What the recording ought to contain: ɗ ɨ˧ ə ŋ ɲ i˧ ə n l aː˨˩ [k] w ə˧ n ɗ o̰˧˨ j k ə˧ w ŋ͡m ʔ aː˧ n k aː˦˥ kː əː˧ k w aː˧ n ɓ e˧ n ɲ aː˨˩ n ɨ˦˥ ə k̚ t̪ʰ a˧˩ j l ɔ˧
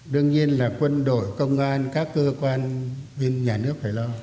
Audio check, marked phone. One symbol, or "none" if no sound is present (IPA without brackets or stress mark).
k